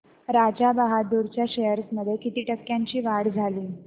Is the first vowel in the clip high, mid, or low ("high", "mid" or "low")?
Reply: low